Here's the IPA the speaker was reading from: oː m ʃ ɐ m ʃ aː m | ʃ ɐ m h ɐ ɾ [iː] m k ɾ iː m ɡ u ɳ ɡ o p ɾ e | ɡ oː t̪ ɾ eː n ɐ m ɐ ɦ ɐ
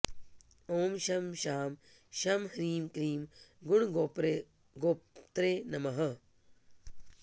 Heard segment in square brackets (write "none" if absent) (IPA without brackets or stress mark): iː